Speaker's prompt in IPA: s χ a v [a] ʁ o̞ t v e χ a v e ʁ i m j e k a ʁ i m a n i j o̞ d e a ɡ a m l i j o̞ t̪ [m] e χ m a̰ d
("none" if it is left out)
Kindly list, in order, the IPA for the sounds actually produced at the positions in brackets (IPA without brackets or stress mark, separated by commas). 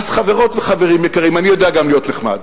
e, n